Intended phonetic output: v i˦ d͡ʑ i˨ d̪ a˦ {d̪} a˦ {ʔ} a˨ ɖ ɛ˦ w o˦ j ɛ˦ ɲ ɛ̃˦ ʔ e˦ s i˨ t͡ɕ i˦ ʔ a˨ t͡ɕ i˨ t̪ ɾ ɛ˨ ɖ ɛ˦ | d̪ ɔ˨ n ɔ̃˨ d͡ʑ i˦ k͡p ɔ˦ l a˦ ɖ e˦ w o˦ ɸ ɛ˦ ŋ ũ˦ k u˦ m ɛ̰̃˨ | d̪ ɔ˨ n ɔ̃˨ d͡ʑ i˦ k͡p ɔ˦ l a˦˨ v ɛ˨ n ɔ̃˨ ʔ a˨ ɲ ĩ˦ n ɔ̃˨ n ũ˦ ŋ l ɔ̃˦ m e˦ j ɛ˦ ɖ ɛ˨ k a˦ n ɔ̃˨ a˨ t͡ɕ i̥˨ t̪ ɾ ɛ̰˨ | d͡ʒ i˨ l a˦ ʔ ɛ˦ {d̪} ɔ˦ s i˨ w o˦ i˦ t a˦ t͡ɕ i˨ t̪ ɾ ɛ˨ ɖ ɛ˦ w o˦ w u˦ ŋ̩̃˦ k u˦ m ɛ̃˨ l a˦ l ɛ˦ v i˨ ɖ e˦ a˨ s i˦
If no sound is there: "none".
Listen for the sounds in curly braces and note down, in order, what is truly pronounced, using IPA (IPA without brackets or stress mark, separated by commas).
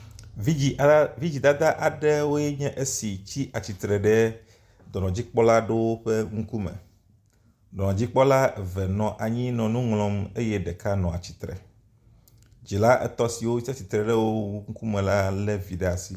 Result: d̪, ʔ, t̪